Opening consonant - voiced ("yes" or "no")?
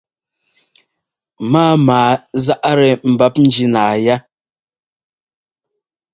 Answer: yes